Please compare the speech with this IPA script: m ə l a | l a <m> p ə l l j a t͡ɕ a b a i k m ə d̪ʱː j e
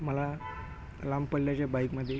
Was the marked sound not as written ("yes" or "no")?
no